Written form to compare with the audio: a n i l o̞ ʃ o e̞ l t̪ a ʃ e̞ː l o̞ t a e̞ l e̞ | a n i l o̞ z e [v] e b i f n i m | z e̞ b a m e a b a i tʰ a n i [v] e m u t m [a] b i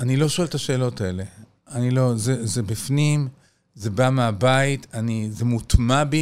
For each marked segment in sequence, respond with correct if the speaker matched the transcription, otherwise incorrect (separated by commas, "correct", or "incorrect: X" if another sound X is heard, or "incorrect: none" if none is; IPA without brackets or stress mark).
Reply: incorrect: z, incorrect: z, correct